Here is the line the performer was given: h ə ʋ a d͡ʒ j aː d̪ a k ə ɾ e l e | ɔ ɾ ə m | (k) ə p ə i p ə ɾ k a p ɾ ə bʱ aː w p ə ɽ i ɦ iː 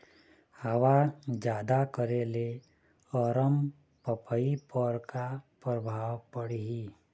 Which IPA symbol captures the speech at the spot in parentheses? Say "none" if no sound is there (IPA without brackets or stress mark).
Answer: p